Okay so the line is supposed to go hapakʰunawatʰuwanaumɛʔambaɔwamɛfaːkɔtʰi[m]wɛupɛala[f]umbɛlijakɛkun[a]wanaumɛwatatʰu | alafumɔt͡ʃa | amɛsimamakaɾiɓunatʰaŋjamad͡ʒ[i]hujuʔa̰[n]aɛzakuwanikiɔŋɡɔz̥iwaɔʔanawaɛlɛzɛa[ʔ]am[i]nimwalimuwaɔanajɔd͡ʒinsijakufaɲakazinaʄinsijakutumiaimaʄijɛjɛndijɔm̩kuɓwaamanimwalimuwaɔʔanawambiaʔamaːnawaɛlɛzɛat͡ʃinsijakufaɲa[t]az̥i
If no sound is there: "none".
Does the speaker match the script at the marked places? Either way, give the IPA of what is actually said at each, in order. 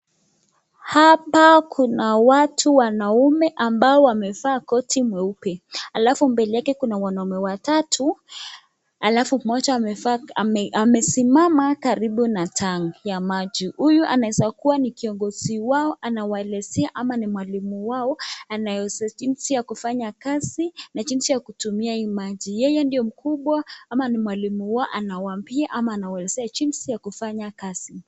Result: m, f, a, i, n, ʔ, a, k

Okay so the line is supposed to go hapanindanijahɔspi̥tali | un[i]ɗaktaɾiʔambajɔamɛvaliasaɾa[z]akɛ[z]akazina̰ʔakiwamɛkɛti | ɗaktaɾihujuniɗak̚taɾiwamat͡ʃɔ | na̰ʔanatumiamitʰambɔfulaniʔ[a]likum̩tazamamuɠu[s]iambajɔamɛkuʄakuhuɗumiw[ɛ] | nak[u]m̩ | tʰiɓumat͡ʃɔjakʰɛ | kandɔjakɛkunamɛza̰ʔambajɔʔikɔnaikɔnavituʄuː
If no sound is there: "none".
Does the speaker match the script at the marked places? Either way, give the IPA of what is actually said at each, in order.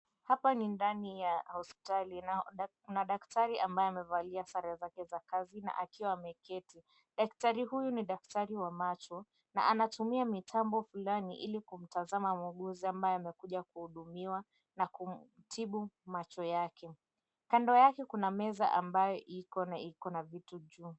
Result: a, z, z, i, z, a, u

